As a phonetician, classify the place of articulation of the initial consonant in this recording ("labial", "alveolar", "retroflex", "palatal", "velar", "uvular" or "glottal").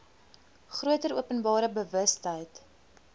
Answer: uvular